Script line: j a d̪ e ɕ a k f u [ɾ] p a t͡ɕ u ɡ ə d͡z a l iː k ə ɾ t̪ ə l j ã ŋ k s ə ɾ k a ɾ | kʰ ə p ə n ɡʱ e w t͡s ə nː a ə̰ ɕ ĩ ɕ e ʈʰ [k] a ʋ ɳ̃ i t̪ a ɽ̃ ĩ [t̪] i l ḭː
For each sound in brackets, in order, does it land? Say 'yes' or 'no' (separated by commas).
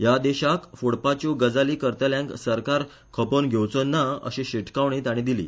no, yes, no